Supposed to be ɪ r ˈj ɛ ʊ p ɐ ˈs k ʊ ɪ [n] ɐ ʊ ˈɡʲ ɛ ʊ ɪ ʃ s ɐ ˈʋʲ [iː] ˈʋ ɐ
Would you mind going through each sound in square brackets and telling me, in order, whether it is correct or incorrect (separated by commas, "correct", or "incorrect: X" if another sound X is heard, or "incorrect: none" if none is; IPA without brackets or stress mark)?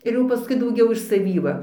incorrect: d, correct